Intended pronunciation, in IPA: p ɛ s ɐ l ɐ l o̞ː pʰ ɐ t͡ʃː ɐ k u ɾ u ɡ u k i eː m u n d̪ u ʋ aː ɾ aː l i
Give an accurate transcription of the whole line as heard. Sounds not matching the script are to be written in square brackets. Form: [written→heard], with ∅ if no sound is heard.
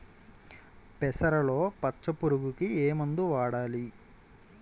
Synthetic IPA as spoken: p ɛ s ɐ [l→ɾ] ɐ l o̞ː [pʰ→p] ɐ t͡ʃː ɐ [k→p] u ɾ u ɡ u k i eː m u n d̪ u ʋ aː [ɾ→ɽ] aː l i